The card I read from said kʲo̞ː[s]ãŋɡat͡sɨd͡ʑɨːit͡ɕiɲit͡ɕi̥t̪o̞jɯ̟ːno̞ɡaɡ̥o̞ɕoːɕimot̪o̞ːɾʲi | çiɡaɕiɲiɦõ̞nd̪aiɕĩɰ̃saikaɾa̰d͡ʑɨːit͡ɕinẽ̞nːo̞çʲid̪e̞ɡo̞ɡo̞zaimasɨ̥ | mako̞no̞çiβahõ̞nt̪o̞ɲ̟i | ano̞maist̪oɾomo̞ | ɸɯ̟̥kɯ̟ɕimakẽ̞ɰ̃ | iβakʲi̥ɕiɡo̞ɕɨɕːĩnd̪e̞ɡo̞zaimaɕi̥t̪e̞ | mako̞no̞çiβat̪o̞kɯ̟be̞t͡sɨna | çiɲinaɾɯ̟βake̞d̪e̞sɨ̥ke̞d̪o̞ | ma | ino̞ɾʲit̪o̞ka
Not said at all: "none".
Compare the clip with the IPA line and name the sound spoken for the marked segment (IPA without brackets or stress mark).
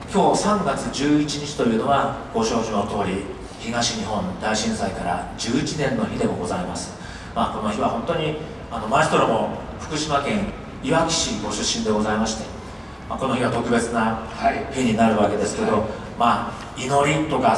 s